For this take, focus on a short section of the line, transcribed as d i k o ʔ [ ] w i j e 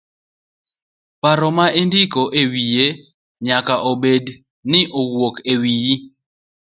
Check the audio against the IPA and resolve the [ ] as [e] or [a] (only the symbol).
e